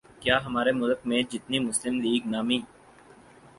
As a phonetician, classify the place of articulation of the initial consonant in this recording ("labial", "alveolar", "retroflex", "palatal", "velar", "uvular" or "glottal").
velar